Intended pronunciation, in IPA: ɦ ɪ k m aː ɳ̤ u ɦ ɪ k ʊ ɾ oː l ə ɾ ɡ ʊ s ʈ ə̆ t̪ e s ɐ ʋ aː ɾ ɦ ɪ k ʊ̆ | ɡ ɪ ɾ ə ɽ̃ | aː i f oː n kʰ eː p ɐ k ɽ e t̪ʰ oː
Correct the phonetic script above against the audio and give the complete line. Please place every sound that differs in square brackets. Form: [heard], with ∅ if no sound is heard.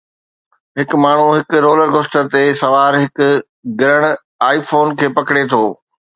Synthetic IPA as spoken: ɦ ɪ k m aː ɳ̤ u ɦ ɪ k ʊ ɾ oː l ə ɾ ɡ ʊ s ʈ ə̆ t̪ e s ɐ ʋ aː ɾ ɦ ɪ k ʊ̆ | ɡ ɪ ɾ ə ɽ̃ | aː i f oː n kʰ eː p ɐ k ɽ e t̪ʰ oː